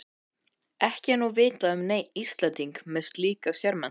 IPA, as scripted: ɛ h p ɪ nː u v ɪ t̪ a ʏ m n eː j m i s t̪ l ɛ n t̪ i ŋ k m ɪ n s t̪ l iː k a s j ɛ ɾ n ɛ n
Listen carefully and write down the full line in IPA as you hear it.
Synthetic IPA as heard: ɛ h c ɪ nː u v ɪː t̪ a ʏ m n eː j n i s t̪ l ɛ n t̪ i ŋ k m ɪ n s t̪ l iː k a s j ɛ ɾ m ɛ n